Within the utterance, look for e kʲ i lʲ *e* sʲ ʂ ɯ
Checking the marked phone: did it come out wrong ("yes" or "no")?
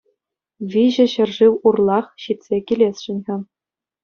no